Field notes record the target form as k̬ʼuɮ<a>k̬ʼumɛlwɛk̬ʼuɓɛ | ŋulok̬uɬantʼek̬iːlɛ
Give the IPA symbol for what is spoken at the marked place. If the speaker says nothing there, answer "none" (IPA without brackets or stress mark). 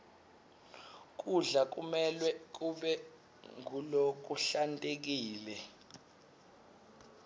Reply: a